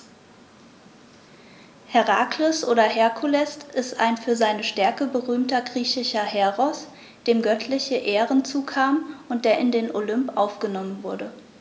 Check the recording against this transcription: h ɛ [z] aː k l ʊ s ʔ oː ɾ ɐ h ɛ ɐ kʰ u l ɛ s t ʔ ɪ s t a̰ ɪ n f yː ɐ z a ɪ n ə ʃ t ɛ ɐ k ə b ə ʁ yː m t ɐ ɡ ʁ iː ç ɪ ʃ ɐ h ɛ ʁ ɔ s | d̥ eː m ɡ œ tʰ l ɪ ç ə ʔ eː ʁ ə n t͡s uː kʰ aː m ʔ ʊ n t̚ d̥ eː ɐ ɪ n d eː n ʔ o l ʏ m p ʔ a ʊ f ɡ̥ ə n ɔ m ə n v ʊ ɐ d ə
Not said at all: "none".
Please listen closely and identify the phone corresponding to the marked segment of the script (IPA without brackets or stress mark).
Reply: ʁ